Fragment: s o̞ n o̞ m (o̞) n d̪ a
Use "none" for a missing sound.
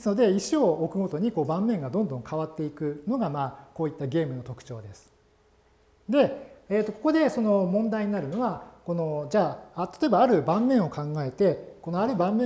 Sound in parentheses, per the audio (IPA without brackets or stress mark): õ̞